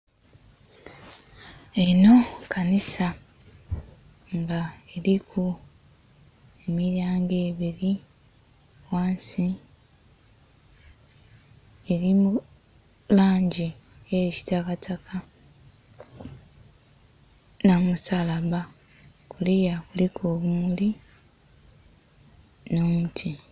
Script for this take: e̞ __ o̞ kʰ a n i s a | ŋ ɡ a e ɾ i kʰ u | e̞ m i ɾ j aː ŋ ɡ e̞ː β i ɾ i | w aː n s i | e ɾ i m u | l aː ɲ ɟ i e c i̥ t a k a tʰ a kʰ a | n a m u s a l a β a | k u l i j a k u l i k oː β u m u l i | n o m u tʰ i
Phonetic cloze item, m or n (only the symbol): n